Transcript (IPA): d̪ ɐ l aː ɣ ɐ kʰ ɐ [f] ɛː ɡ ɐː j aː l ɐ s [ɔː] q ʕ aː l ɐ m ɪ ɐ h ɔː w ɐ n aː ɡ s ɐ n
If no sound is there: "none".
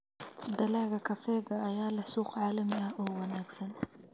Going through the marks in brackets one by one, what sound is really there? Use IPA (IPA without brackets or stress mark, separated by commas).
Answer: f, uː